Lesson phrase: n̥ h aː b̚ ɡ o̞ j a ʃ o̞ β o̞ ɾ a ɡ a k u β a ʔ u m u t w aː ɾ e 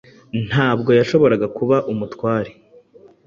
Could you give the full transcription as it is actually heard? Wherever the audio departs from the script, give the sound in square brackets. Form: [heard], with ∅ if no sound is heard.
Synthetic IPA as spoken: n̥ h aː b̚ ɡ o̞ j a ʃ o̞ β o̞ ɾ a ɡ a k u β a ʔ u m u t w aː ɾ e